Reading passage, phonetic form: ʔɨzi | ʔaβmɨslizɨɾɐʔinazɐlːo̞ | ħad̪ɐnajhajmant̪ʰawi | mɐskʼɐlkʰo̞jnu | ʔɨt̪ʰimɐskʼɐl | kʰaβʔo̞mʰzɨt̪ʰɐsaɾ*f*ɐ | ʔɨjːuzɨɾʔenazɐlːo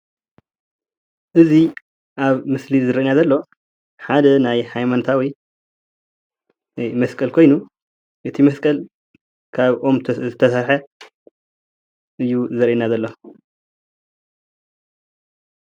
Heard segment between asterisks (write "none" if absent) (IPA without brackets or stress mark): ħ